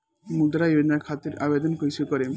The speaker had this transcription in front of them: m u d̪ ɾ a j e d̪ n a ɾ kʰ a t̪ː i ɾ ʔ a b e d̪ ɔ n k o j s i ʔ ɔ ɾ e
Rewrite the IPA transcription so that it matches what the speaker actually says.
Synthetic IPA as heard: m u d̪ ɾ a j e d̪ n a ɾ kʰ a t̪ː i ɾ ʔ a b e d̪ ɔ n k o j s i k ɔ ɾ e